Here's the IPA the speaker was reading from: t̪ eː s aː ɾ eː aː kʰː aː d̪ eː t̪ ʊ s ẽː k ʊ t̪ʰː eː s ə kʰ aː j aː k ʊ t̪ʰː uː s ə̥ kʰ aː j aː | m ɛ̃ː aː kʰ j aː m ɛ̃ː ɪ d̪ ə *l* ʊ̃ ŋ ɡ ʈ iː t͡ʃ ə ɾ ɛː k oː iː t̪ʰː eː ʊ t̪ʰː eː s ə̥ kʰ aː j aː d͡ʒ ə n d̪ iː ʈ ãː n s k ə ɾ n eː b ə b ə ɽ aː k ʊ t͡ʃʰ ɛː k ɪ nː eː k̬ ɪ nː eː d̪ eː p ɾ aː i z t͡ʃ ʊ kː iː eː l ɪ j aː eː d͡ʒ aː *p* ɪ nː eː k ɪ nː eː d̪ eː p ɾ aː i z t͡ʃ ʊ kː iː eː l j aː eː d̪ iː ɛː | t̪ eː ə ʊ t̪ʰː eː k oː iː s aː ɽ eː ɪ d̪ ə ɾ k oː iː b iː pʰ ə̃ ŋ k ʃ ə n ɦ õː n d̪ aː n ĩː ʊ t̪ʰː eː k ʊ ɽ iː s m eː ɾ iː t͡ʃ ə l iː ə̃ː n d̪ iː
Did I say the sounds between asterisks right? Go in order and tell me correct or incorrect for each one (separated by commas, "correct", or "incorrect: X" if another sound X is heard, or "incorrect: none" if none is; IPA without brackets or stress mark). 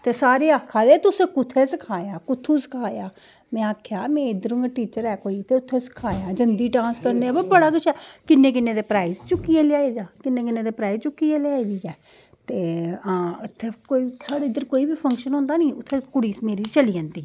incorrect: ɾ, incorrect: k